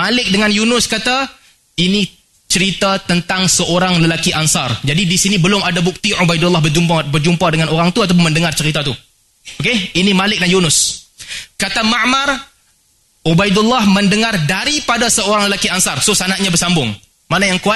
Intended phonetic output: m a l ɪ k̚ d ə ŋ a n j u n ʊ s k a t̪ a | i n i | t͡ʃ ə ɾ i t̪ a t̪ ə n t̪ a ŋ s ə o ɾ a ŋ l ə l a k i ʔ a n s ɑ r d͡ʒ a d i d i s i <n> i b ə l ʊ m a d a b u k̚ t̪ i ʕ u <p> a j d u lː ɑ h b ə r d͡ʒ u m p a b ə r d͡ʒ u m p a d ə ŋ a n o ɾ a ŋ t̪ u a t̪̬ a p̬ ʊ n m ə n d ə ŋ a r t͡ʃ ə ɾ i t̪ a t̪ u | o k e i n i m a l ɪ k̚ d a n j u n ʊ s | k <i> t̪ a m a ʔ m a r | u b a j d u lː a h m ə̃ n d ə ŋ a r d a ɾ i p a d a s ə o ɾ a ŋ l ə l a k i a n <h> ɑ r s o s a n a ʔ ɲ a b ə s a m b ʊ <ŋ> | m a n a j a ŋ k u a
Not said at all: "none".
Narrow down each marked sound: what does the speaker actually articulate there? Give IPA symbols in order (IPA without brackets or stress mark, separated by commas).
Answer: n, b, a, s, ŋ